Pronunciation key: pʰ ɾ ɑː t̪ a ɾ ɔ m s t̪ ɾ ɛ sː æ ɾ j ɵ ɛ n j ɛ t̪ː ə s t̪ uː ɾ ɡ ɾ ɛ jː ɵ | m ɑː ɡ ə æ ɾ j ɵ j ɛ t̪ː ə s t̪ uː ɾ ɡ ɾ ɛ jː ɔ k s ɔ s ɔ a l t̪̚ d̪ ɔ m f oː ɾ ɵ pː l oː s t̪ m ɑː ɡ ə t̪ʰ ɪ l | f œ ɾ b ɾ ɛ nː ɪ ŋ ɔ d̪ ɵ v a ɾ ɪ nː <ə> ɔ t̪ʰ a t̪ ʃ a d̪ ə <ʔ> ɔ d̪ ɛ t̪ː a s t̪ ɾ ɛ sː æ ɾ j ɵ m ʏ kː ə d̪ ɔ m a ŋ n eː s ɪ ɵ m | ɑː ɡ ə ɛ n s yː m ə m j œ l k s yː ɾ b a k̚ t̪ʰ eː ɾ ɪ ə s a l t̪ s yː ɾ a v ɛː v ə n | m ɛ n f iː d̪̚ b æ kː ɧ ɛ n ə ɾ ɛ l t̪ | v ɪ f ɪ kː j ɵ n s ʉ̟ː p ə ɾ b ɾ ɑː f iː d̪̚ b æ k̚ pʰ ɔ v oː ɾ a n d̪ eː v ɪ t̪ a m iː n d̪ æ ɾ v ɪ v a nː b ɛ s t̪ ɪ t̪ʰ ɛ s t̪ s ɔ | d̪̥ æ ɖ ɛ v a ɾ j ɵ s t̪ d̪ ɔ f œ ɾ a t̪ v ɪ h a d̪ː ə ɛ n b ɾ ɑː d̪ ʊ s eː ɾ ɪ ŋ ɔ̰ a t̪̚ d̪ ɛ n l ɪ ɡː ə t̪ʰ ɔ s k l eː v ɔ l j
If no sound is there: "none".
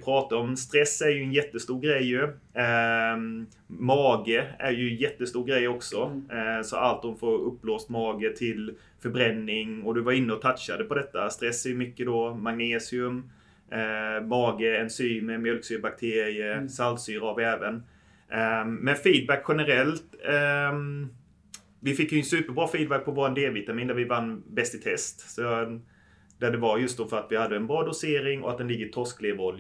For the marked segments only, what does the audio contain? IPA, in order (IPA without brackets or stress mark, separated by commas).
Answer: ə, p